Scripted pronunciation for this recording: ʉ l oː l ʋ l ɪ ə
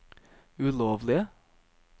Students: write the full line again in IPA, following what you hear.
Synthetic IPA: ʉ l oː ʋ l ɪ ə